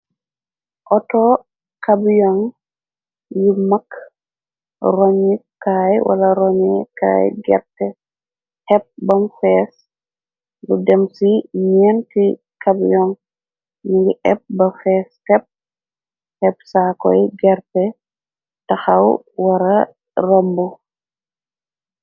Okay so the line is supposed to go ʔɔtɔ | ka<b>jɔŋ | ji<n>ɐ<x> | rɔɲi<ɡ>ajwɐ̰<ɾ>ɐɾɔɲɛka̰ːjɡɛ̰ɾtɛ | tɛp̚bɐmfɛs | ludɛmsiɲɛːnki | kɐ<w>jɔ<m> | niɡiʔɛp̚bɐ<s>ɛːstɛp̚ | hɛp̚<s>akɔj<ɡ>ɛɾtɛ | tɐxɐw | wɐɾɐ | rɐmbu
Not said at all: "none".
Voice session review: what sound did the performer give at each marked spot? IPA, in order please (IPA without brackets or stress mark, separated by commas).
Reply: b, m, k, k, l, b, ŋ, f, s, ɡ